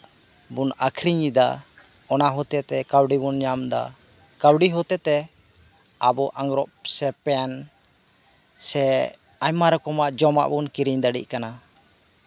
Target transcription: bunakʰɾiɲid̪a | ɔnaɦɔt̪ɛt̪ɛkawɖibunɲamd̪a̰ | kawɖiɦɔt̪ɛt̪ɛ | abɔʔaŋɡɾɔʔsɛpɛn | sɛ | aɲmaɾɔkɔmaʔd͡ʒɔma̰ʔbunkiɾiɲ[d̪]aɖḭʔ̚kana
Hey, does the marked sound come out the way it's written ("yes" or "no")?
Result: yes